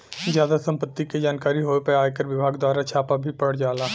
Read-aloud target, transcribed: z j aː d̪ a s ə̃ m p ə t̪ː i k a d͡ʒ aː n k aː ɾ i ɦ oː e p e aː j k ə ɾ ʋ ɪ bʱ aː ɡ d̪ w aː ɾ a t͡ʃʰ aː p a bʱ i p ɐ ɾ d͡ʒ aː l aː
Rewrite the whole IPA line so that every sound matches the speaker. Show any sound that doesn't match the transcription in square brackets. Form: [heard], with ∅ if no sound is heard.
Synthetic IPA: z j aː d̪ a s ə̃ m p ə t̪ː i k [e] d͡ʒ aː n k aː ɾ i ɦ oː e p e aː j k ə ɾ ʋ ɪ bʱ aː ɡ d̪ w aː ɾ a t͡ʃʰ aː p a bʱ i p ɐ [ɽ] d͡ʒ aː l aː